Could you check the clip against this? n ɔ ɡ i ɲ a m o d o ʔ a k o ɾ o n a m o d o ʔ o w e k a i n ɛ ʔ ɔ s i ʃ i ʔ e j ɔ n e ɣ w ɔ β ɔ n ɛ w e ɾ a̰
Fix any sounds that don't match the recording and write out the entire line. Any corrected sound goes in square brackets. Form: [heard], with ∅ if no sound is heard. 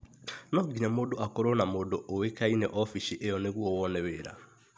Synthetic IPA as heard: n ɔ ɡ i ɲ a m o d o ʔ a k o ɾ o n a m o d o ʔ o w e k a i n ɛ ʔ ɔ [f] i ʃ i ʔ e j ɔ n e ɣ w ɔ [w] ɔ n ɛ w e ɾ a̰

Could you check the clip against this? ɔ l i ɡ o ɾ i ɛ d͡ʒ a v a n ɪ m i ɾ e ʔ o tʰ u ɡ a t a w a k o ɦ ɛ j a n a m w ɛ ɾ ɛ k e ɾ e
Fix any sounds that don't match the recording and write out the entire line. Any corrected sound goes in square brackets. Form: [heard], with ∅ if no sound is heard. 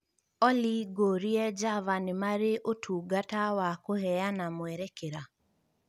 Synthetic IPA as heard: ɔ l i ɡ o ɾ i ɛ d͡ʒ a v a n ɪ m [a] ɾ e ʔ o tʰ u ɡ a t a w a k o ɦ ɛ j a n a m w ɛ ɾ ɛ k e ɾ [a]

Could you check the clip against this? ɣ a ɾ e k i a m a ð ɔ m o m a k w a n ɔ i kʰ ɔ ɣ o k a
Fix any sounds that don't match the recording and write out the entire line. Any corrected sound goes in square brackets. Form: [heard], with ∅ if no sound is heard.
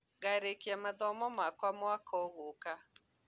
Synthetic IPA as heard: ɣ a ɾ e k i a m a ð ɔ m [ɔ] m a k w a [m] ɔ [a] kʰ ɔ ɣ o k a

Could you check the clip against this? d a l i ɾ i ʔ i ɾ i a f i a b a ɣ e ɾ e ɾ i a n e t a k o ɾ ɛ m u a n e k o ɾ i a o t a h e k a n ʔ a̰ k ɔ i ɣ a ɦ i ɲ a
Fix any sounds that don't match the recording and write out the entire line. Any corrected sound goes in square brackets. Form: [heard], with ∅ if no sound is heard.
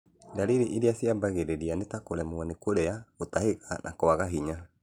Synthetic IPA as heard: d a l i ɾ i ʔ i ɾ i a [s] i a b a ɣ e ɾ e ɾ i a n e t a k o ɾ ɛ m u a n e k o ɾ [ɛ] a o t a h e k a n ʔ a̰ k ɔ [a] ɣ a ɦ i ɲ a

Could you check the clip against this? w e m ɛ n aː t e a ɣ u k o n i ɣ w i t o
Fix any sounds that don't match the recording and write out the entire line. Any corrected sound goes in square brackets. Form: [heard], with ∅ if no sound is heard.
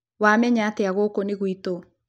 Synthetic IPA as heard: w [a] m ɛ [ɲ] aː t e a ɣ [o] k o n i ɣ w i t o

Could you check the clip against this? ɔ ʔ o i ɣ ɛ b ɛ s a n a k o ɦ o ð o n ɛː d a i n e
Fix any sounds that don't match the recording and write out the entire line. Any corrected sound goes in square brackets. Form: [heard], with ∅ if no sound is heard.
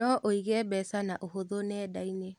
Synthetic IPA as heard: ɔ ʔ o i ɣ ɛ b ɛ s a n a [ʔ] o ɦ o ð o n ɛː d a i n e

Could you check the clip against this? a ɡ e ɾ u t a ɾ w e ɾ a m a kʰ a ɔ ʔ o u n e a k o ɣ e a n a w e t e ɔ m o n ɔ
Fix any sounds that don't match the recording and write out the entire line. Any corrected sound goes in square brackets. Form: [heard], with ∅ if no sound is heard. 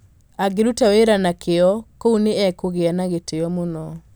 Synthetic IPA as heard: a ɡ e ɾ u t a [∅] w e ɾ a [n] a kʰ [e] ɔ [k] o u n e [ɛ] k o ɣ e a n a [ɣ] e t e ɔ m o n ɔ

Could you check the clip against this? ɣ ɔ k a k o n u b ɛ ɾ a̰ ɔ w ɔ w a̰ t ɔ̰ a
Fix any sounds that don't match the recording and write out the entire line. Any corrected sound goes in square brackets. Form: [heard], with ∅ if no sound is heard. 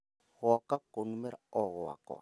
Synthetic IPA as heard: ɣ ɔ k a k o n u [m] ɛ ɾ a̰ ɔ [ɣ] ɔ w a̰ [k] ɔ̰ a

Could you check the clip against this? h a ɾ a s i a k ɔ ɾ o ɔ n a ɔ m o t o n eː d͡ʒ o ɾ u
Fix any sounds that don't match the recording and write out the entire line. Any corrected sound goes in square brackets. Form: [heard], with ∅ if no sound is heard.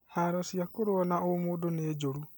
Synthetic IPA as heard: h a ɾ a s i a k [o] ɾ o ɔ n a [o] m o [d] o n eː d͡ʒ o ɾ u

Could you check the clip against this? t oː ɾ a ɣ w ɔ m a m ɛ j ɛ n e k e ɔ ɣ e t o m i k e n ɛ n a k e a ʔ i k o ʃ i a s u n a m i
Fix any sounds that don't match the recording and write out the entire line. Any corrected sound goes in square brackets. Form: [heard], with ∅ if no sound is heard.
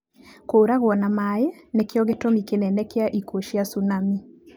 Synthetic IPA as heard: [k] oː ɾ a ɣ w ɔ [n] a m [a] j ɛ n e k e ɔ ɣ e t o m i k e n ɛ n [ɛ] k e a ʔ i k o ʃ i a s u n a m i

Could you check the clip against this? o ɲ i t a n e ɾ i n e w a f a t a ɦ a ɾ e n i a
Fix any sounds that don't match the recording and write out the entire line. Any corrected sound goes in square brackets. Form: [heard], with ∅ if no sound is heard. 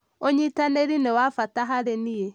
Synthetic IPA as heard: o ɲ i t a n e ɾ i n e w a f a t a ɦ a ɾ e n i [e]

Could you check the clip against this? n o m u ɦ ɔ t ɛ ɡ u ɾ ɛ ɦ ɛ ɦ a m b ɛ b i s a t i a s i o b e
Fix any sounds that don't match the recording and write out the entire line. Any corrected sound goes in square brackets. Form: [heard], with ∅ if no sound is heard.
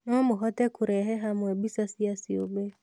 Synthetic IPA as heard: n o m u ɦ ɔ t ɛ [k] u ɾ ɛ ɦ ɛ ɦ a m [w] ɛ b i s a [s] i a s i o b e

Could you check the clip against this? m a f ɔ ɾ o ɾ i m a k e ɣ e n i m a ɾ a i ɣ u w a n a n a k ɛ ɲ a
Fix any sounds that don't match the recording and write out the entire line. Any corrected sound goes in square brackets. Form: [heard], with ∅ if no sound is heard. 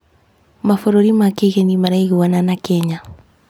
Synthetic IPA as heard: m a f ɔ ɾ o ɾ i m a k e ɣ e n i m a ɾ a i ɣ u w a n a n a k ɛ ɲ a

